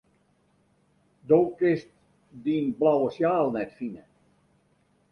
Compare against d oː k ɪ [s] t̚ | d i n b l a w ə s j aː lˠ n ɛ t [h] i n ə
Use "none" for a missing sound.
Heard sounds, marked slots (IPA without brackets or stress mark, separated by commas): s, f